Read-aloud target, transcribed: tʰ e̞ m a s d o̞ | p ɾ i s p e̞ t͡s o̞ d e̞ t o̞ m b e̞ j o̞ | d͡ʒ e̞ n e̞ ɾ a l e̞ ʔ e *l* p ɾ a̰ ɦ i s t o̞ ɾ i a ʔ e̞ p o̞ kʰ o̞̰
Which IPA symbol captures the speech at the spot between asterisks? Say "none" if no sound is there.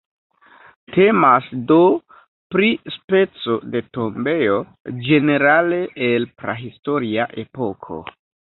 l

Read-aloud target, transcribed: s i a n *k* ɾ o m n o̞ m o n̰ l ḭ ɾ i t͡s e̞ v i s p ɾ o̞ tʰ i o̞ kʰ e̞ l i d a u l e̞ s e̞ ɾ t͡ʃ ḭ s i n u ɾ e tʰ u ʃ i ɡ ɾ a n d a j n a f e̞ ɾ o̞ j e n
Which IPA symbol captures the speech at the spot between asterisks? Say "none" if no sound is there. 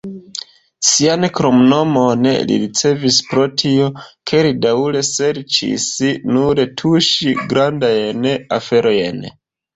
k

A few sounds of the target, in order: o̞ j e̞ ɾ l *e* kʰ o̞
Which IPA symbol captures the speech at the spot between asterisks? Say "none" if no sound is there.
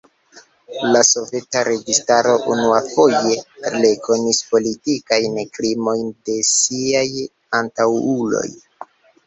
e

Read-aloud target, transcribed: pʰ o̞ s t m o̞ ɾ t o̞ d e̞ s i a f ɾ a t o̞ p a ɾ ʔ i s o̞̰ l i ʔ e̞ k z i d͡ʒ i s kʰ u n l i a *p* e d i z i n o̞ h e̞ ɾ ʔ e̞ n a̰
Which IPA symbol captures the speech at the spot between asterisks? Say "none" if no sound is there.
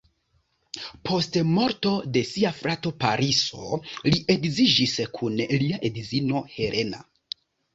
ʔ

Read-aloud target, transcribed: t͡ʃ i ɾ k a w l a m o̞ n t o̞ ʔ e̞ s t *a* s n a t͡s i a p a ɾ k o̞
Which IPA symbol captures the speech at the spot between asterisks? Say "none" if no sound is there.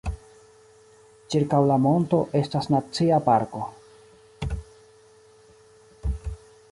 a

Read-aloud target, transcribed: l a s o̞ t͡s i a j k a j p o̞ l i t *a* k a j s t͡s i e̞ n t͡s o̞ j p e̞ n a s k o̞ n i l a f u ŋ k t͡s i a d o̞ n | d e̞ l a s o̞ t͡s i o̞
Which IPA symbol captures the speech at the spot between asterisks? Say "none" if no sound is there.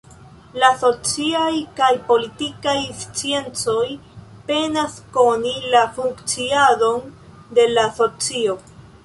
i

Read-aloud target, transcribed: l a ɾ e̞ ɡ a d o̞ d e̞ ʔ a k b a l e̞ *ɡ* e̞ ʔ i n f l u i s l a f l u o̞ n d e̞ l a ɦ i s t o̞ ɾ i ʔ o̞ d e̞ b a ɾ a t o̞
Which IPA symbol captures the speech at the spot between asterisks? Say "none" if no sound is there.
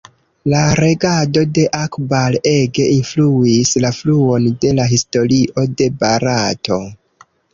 ɡ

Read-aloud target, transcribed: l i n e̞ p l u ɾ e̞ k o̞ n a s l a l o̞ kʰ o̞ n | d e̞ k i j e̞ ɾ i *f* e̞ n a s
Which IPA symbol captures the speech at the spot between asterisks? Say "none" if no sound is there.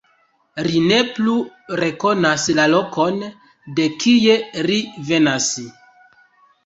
v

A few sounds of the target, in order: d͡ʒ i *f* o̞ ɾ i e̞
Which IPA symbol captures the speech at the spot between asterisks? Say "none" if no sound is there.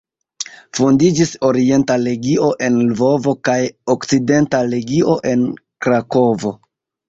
s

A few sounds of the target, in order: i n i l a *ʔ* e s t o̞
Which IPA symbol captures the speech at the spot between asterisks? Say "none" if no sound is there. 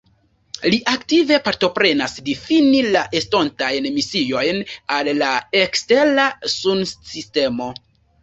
ʔ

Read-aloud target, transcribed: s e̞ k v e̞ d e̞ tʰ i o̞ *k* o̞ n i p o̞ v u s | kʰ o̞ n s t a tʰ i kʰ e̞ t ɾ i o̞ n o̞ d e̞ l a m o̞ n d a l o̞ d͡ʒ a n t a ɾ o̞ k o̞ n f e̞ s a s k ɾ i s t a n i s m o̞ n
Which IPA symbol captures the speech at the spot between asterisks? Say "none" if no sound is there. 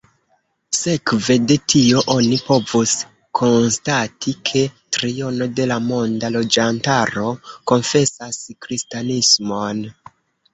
ʔ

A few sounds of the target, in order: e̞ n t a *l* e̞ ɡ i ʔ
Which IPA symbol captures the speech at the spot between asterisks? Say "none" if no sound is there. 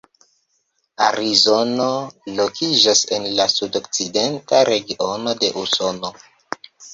ɾ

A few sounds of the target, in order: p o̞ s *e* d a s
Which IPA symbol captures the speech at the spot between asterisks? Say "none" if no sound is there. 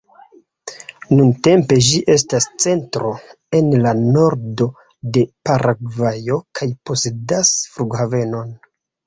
e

